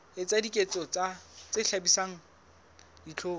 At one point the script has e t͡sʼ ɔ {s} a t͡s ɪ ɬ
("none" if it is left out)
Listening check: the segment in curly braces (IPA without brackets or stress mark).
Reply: t͡s